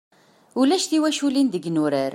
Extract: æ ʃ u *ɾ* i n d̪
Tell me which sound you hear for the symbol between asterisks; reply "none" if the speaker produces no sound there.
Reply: l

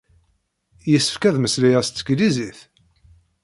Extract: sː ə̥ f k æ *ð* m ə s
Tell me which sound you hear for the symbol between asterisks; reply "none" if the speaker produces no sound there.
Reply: ð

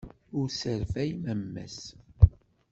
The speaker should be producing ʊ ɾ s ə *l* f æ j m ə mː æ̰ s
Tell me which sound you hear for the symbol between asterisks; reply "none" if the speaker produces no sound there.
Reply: ɾ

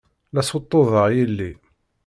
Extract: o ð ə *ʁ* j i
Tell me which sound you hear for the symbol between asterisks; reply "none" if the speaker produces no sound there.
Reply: ʁ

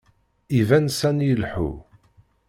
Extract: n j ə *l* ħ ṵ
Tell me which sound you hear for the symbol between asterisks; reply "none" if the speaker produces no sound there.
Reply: l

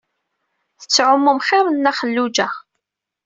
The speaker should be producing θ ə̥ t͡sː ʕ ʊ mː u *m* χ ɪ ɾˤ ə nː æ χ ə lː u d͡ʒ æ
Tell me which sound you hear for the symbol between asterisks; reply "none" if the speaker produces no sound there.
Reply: m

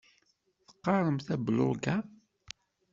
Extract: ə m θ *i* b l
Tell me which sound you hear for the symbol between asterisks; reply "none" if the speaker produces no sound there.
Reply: æ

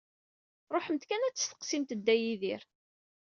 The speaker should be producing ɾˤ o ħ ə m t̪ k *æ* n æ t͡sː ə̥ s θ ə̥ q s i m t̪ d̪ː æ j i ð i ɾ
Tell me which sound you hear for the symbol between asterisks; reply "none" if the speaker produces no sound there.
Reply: æ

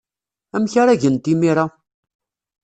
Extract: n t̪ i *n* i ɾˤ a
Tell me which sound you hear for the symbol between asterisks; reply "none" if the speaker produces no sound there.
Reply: m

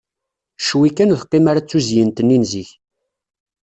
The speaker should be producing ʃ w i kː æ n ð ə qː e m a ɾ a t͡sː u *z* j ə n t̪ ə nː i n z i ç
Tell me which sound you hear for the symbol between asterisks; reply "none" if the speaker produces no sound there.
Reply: z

